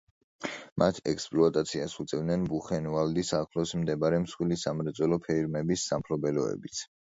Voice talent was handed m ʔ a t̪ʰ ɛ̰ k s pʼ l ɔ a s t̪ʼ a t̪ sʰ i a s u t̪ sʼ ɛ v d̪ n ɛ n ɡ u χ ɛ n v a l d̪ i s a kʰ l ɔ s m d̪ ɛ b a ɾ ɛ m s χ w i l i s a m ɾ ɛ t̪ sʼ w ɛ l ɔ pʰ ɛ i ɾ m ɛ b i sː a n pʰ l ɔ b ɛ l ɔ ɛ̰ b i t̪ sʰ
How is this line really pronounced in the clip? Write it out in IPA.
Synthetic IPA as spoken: m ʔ a t̪ʰ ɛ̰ k s pʼ l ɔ a t̪ʼ a t̪ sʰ i a s u t̪ sʼ ɛ v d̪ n ɛ n b u χ ɛ n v a l d̪ i s a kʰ l ɔ s m d̪ ɛ b a ɾ ɛ m s χ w i l i s a m ɾ ɛ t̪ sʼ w ɛ l ɔ pʰ ɛ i ɾ m ɛ b i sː a m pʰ l ɔ b ɛ l ɔ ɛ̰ b i t̪ sʰ